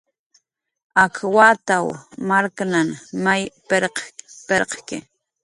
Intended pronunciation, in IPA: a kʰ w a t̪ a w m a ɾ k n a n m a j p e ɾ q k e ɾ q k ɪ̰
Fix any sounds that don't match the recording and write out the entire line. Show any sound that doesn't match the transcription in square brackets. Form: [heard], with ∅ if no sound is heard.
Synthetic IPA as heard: a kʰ w a t̪ a w m a ɾ k n a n m a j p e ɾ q [p] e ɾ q k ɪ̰